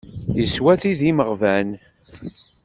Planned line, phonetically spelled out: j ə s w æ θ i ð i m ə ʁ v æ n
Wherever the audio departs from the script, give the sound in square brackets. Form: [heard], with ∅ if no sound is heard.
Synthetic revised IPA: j ə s w æ θ i ð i m ə ʁ v æ n